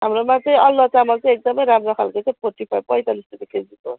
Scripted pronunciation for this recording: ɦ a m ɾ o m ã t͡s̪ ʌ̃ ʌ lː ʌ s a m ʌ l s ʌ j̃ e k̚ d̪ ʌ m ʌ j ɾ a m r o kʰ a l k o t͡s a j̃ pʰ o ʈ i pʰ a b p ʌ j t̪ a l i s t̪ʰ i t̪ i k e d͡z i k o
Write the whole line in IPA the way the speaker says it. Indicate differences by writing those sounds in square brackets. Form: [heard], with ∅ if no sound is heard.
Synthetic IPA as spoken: ɦ a m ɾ o m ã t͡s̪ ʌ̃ ʌ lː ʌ [t͡s] a m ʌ l [t͡s] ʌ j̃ e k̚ d̪ ʌ m ʌ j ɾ a m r o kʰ a l k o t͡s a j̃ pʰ o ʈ i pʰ a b p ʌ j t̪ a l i s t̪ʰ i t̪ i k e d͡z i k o